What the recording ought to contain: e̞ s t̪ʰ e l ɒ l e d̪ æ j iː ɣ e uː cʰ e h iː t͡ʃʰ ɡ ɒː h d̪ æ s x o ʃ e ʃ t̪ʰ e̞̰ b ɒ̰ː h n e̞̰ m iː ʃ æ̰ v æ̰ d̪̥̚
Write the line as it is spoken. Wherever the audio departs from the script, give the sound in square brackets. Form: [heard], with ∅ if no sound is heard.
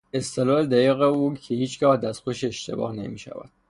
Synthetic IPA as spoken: e̞ s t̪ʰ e l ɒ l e d̪ æ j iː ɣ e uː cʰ e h iː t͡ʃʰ ɡ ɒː h d̪ æ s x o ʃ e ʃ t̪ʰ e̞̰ b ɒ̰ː h n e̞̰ m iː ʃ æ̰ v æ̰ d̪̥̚